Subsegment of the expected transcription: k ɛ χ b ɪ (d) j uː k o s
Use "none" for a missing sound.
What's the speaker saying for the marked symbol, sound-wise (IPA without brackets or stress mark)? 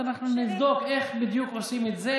d